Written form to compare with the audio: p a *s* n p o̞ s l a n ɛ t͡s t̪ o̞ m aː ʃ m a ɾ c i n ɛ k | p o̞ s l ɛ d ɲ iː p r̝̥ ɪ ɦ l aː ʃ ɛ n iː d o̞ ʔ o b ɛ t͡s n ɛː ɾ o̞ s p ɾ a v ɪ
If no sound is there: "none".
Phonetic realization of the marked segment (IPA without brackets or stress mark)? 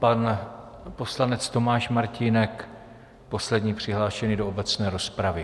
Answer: none